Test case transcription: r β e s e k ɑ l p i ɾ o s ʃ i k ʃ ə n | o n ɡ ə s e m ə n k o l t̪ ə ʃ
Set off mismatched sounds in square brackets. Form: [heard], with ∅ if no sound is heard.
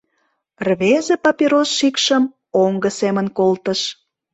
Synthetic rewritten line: r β e [z] e [p] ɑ [∅] p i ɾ o s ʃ i k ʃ ə [m] | o [ŋ] ɡ ə s e m ə n k o l t̪ ə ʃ